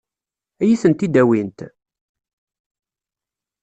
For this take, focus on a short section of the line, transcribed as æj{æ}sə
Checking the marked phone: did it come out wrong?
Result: yes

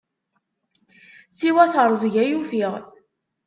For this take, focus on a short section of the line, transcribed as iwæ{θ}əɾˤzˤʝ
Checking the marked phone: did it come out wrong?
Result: no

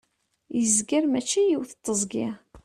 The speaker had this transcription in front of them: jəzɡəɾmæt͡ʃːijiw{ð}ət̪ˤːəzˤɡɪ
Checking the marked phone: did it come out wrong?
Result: yes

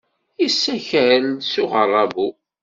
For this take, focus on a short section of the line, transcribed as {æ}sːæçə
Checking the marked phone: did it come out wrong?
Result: yes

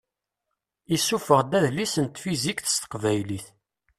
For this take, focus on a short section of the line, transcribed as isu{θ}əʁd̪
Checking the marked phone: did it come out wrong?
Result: yes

